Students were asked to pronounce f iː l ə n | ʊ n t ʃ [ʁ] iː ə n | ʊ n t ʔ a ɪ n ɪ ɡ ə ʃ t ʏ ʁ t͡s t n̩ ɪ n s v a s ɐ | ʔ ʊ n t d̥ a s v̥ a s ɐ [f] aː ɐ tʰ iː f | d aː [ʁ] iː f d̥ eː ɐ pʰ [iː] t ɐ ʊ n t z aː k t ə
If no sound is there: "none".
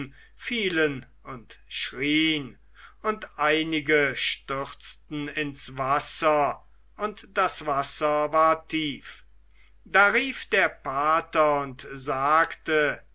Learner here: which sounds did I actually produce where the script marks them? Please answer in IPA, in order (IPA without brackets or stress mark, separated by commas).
ʁ, v, ʁ, aː